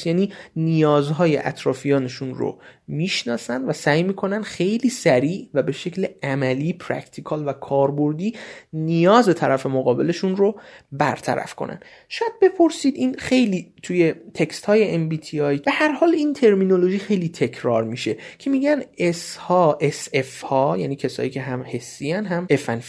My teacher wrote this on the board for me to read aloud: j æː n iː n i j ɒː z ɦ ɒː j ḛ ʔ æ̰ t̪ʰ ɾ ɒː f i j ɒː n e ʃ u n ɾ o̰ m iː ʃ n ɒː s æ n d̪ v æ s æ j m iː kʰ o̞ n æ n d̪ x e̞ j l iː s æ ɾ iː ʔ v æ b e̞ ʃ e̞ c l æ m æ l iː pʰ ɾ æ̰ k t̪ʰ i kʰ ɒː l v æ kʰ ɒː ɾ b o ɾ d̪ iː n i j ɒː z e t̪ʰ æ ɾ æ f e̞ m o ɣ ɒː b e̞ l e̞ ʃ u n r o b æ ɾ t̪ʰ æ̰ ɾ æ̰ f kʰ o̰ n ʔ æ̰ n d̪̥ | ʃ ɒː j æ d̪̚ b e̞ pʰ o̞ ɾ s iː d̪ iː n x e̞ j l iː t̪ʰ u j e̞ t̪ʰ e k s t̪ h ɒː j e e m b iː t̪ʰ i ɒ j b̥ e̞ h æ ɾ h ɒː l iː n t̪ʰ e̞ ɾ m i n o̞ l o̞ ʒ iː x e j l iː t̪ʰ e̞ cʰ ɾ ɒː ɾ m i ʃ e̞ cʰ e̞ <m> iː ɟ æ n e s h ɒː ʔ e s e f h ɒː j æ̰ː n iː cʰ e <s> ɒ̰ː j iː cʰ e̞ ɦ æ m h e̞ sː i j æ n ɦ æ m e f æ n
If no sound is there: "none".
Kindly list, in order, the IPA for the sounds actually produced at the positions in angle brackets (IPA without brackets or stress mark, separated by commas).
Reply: m, s